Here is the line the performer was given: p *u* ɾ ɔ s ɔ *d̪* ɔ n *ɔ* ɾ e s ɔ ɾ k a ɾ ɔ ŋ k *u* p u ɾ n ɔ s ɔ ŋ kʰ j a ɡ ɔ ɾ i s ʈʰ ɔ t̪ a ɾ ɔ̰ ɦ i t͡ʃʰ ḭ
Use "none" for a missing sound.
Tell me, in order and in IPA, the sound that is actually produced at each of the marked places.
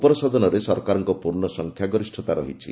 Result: ɔ, d̪, ɔ, ɔ

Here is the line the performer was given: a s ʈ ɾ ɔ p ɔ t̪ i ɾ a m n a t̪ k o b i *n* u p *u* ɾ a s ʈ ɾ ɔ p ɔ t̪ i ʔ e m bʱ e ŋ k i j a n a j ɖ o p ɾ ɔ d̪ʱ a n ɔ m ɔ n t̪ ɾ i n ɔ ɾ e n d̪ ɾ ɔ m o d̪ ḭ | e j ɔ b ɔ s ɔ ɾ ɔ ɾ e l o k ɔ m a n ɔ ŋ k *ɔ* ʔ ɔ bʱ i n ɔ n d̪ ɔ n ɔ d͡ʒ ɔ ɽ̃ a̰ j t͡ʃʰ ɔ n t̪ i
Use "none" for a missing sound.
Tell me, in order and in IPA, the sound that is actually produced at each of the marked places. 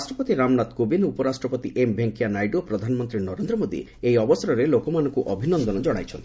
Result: n, ɔ, u

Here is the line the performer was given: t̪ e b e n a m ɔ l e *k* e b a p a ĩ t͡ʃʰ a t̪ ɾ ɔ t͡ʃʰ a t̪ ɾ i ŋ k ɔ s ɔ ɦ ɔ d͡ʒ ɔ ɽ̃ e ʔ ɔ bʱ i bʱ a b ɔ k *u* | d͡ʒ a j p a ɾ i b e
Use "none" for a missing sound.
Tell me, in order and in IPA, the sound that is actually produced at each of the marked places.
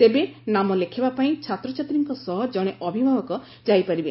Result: kʰ, ɔ

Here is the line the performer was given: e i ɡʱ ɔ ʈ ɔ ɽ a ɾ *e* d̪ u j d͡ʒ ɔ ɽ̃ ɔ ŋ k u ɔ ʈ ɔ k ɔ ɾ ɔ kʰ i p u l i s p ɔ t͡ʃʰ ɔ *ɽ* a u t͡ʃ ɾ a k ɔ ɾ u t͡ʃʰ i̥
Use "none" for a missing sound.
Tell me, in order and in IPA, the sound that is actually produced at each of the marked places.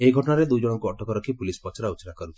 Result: e, ɾ

